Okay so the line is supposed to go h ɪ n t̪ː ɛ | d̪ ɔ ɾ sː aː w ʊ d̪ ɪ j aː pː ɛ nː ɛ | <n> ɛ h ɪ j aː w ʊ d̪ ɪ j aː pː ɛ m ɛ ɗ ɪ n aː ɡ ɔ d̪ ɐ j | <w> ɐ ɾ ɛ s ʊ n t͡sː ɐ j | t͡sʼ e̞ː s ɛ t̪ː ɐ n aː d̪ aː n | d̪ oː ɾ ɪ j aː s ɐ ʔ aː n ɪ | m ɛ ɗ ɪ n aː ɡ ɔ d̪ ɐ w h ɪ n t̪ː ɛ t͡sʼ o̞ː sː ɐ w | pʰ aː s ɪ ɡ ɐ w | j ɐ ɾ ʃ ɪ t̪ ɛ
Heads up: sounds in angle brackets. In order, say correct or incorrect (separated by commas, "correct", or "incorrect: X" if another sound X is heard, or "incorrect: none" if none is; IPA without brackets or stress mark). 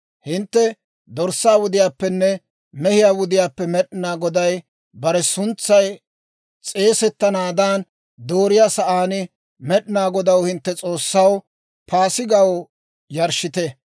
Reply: incorrect: m, incorrect: b